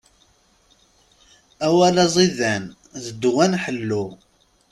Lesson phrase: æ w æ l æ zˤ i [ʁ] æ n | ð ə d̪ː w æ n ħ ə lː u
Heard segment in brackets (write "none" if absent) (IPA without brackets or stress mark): ð